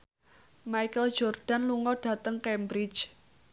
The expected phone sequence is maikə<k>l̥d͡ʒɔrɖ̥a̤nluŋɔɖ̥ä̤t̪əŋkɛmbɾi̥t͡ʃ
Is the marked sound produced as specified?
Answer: no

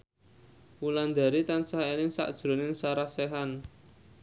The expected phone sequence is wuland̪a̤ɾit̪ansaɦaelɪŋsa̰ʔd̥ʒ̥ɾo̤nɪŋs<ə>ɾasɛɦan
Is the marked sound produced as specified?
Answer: no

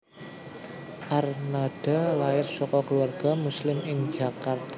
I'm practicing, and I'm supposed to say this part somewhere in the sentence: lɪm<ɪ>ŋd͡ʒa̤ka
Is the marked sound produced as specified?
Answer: yes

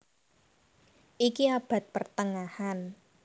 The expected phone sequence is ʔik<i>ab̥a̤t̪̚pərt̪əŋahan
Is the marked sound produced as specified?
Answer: yes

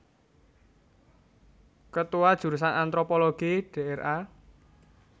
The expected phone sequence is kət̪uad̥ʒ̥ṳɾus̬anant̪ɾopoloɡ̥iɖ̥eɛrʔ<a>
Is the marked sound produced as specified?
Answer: yes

